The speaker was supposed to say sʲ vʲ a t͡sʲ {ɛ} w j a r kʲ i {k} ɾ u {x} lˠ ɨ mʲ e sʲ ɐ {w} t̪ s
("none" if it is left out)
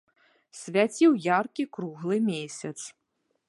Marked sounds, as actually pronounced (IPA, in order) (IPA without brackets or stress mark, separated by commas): i, k, ɣ, none